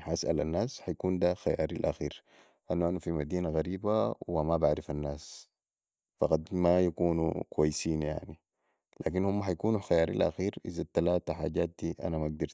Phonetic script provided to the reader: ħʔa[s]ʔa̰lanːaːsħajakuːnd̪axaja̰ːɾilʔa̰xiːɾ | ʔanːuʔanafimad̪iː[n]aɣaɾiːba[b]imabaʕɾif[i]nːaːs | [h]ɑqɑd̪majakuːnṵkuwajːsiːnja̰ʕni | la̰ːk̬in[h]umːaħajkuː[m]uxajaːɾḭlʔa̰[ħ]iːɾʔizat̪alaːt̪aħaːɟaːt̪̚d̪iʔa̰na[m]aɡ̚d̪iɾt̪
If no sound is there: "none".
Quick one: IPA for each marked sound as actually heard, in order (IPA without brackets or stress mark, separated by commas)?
s, n, w, a, f, h, n, x, m